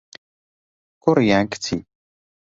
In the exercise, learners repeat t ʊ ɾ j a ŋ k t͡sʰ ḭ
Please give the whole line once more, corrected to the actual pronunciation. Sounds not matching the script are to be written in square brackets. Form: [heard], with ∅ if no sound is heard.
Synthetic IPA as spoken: [k] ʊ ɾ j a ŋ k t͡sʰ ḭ